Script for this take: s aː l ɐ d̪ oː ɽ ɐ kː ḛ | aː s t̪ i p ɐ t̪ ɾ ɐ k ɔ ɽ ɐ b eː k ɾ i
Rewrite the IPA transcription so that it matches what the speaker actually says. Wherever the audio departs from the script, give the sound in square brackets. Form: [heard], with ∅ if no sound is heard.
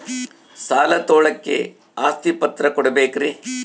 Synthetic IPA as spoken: s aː l ɐ [t̪] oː [ɭ] ɐ kː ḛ | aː s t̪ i p ɐ t̪ ɾ ɐ k ɔ ɽ ɐ b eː k ɾ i